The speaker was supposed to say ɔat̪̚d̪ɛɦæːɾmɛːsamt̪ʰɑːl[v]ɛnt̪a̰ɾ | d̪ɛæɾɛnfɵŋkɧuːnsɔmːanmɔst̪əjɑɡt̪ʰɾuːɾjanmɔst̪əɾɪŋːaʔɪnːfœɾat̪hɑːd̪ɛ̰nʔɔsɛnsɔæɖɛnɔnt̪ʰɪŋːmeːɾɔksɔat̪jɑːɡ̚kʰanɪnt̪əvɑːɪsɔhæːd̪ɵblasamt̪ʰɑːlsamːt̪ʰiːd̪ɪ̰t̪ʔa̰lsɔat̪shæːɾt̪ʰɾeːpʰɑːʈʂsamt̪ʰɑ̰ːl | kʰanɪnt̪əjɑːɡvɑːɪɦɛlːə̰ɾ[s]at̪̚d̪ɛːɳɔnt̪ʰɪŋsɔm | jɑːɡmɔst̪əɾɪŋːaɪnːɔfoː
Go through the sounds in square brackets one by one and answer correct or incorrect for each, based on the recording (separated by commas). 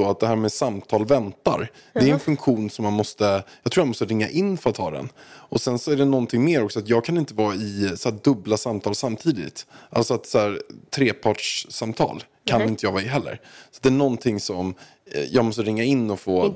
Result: correct, correct